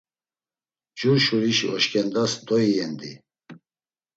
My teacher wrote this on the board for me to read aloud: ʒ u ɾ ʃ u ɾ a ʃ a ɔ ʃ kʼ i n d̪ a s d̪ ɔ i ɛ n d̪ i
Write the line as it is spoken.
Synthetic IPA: d͡ʒ u ɾ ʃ u ɾ i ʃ i ɔ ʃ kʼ ɛ n d̪ a s d̪ ɔ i ɛ n d̪ i